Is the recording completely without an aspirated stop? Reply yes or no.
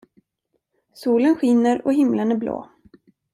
yes